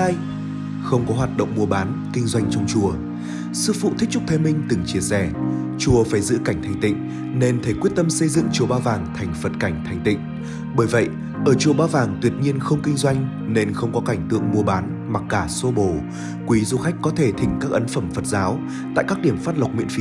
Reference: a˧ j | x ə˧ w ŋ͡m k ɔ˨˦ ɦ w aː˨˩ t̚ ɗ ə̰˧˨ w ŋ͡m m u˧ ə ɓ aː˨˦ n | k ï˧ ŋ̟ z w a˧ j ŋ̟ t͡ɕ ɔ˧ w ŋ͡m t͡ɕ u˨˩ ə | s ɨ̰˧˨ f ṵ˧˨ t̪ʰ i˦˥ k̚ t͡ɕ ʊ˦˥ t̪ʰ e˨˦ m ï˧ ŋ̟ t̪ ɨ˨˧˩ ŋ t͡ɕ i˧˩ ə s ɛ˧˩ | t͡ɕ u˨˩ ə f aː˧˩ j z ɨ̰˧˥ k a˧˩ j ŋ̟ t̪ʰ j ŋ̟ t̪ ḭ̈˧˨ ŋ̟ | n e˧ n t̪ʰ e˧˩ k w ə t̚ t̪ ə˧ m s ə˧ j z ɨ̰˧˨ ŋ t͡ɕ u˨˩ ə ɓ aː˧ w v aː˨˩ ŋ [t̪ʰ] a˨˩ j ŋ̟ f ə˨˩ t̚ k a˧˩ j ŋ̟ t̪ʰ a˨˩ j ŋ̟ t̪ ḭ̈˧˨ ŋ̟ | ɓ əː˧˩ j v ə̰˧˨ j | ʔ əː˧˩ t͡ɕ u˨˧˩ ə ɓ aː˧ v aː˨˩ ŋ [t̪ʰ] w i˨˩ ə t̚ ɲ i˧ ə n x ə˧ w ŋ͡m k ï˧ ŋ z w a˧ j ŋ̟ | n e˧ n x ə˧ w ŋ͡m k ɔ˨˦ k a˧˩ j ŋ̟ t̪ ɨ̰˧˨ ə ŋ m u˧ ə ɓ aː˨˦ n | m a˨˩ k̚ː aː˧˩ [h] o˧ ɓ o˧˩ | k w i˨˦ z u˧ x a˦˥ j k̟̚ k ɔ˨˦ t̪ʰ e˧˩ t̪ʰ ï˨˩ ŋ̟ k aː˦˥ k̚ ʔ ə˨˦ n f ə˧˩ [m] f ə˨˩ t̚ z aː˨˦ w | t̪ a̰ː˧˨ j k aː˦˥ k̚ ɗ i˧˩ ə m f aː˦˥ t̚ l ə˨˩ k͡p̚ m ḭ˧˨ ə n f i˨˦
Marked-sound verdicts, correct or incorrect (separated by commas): correct, incorrect, incorrect, correct